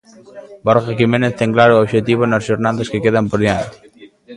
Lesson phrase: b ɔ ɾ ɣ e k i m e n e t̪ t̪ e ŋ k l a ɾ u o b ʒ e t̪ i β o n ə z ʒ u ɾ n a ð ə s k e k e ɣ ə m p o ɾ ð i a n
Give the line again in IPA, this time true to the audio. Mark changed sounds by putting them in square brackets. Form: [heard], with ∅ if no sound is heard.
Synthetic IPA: b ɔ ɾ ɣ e k i m e n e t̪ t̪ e ŋ k l a ɾ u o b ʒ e t̪ i β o n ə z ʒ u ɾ n a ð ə s k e k e [ð] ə m p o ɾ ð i a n